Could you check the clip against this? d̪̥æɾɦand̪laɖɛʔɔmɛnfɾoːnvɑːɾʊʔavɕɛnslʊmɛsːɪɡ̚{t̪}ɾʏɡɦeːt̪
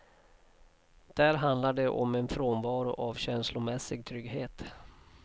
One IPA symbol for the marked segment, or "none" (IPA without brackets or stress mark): t̪ʰ